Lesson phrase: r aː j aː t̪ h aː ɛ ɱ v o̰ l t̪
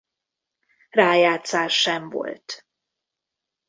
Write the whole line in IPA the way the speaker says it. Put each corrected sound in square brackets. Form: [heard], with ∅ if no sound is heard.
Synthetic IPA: r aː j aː t̪ [s] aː ɛ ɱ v o̰ l t̪